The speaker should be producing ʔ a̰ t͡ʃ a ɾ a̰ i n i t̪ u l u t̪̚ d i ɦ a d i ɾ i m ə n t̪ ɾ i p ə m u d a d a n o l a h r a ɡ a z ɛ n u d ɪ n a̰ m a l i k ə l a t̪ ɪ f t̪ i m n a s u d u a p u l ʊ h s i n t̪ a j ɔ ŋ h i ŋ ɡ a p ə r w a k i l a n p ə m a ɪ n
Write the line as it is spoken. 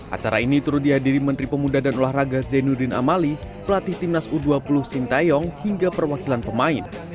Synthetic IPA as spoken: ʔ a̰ t͡ʃ a ɾ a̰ i n i t̪ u ɾ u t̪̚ d i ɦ a d i ɾ i m ə n t̪ ɾ i p ə m u d a d a n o l a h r a ɡ a z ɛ n u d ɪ n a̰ m a l i p ə l a t̪ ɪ h t̪ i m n a s u d u a p u l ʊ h s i n t̪ a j ɔ ŋ h i ŋ ɡ a p ə r w a k i l a n p ə m a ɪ n